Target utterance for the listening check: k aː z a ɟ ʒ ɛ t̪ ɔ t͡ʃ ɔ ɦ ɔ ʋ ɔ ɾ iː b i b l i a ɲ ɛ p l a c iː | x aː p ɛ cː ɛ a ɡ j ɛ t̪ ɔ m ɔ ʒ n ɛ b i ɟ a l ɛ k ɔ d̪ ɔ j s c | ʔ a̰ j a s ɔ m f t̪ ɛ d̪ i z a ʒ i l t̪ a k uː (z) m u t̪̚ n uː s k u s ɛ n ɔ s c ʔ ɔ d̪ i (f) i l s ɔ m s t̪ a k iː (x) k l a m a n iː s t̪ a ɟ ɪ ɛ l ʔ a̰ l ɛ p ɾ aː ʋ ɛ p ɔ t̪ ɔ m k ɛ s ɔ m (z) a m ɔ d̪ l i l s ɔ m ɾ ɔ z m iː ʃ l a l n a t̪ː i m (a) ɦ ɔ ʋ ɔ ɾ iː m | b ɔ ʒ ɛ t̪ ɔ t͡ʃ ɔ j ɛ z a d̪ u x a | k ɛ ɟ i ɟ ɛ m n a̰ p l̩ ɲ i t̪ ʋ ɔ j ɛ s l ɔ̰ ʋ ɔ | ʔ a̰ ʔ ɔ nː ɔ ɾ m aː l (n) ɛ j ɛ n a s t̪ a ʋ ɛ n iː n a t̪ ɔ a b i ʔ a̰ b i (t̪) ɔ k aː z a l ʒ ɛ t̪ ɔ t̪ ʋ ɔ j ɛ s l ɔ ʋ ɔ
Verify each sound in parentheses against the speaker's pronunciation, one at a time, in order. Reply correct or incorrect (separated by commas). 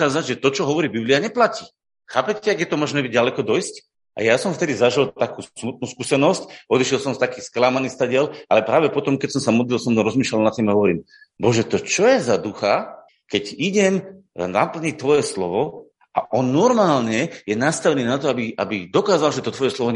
incorrect, incorrect, incorrect, incorrect, correct, incorrect, incorrect